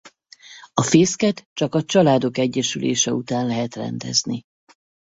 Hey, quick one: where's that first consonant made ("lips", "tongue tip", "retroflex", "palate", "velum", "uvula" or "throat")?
lips